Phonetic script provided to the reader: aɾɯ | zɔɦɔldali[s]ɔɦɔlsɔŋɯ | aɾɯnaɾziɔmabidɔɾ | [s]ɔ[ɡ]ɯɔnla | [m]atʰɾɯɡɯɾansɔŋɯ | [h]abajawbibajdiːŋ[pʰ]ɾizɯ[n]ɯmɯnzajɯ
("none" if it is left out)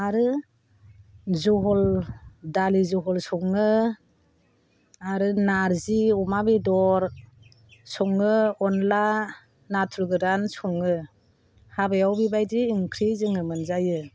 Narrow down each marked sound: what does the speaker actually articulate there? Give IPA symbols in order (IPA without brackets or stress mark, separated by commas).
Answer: z, s, ŋ, n, h, kʰ, ŋ